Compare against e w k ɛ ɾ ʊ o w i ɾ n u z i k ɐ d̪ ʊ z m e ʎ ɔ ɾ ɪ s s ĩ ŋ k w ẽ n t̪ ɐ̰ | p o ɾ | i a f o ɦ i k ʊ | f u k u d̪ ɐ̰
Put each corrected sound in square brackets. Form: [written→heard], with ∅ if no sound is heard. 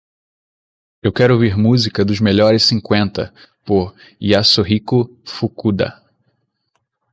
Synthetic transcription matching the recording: e w k ɛ ɾ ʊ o [w→v] i ɾ [n→m] u z i k ɐ d̪ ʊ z m e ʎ ɔ ɾ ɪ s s ĩ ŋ k w ẽ n t̪ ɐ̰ | p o ɾ | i a [f→s] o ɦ i k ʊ | f u k u d̪ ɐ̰